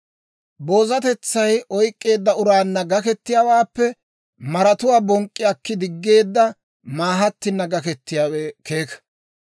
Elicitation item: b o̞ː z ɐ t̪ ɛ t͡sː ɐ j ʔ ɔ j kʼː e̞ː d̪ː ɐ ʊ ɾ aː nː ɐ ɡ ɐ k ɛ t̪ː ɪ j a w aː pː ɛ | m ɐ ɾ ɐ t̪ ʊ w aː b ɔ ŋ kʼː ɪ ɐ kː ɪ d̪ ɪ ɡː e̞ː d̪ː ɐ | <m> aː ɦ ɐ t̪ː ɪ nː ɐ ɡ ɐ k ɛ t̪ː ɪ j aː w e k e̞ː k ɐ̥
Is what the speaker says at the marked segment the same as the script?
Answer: yes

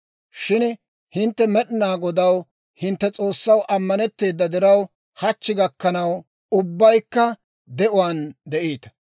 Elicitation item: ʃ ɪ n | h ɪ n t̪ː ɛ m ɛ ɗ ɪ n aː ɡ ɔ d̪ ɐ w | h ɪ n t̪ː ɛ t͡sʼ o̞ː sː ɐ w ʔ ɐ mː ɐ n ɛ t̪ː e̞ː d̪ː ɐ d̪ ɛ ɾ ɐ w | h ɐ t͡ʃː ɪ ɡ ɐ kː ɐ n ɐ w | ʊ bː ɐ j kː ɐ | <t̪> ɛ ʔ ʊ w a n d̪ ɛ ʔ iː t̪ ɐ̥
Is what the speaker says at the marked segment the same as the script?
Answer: no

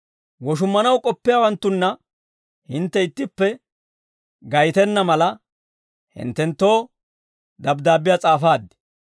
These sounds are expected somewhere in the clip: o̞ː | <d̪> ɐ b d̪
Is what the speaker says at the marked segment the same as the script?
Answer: yes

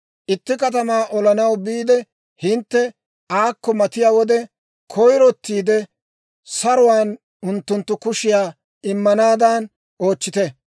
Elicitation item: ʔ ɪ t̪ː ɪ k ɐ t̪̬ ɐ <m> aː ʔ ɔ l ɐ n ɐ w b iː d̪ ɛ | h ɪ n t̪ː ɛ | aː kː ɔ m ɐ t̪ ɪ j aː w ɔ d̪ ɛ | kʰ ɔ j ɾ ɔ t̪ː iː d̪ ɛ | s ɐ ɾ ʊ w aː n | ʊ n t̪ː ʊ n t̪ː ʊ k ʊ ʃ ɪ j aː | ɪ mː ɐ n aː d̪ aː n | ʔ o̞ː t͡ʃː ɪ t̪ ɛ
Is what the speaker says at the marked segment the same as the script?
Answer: yes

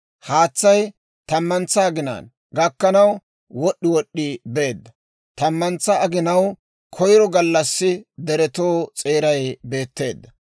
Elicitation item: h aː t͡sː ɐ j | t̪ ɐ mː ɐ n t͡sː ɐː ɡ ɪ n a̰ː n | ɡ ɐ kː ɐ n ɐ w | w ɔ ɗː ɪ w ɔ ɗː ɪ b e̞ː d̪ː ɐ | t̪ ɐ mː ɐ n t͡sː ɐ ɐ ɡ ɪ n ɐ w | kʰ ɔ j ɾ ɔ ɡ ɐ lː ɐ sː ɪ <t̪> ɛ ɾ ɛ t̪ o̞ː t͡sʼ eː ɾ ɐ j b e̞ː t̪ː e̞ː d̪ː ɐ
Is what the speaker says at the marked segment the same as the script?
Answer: no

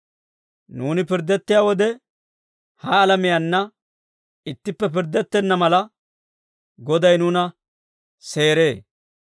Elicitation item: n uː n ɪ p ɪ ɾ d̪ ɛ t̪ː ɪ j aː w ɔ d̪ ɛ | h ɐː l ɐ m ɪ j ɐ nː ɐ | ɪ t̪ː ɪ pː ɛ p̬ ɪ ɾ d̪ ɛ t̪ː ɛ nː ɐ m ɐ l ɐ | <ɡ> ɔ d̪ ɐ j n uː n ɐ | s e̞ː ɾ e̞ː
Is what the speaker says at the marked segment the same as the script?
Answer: yes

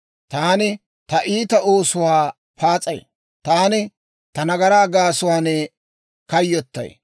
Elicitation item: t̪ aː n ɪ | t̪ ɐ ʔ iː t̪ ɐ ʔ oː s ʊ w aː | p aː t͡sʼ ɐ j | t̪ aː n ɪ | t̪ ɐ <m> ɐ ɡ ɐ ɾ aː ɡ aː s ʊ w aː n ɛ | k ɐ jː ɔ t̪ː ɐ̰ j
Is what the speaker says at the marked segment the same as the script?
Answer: no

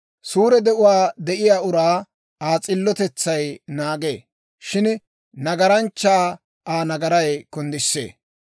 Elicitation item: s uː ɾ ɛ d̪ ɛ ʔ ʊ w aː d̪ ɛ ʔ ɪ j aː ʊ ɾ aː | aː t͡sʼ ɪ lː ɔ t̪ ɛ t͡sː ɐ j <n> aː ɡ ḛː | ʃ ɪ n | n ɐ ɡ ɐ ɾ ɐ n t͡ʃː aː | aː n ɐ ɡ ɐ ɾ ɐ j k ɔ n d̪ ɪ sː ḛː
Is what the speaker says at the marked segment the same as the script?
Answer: yes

